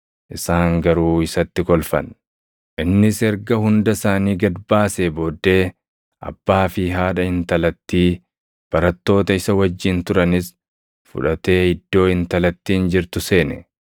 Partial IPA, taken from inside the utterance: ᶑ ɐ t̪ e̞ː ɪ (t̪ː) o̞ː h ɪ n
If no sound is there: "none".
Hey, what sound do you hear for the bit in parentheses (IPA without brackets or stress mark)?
d̪ː